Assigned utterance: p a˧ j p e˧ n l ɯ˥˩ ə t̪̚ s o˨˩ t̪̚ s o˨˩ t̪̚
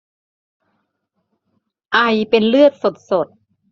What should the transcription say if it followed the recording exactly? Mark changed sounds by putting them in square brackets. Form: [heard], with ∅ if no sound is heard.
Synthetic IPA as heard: [ʔ] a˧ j p e˧ n l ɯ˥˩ ə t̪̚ s o˨˩ t̪̚ s o˨˩ t̪̚